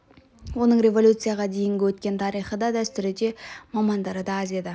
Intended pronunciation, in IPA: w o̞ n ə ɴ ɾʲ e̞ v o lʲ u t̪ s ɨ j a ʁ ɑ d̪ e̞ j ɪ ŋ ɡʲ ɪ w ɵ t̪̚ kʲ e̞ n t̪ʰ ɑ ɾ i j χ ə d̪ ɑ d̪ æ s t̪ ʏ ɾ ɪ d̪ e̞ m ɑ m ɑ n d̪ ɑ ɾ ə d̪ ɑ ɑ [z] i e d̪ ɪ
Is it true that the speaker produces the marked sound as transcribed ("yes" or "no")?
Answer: yes